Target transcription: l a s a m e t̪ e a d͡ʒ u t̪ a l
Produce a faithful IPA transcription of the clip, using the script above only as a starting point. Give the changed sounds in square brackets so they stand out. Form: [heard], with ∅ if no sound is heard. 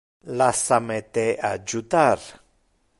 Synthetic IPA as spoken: l a s a m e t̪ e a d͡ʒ u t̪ a [ɾ]